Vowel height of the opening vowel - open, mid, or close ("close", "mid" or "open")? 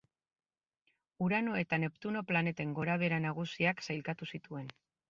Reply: close